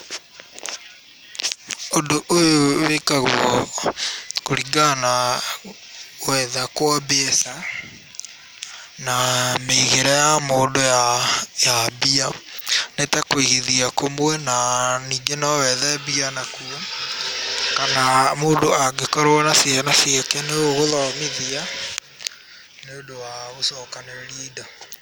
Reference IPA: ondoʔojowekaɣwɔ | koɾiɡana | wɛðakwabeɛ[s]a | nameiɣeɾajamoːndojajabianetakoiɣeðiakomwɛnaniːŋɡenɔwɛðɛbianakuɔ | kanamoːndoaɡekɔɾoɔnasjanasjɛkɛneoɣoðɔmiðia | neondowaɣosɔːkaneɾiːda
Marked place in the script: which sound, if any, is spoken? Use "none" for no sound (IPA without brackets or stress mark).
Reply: s